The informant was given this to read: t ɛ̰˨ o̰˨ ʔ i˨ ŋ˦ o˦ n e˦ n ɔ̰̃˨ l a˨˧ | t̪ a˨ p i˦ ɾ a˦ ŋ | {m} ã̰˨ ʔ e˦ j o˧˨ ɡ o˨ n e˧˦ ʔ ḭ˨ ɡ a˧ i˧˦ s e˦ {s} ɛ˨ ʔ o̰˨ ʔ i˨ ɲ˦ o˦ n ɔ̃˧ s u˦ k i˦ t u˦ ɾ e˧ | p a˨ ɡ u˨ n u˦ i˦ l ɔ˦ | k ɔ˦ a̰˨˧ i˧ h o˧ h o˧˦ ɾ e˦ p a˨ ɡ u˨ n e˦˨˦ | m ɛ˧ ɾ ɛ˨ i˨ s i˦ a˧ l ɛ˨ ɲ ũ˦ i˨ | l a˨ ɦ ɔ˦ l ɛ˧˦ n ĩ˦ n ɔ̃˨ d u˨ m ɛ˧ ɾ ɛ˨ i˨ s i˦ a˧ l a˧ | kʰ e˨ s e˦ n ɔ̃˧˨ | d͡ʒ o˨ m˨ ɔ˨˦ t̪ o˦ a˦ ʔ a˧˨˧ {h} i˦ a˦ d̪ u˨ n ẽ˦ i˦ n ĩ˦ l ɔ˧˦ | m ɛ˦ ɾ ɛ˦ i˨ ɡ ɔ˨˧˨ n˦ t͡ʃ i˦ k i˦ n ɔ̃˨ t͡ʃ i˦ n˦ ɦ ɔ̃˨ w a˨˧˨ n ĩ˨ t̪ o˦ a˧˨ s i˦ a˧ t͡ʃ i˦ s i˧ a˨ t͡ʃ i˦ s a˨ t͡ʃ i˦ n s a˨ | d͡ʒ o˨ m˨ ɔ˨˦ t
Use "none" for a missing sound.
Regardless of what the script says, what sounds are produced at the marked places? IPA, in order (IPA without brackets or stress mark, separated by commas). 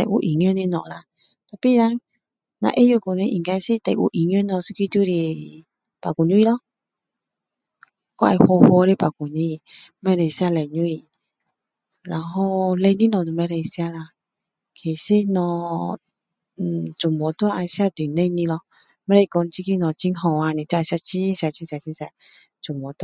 n, t, s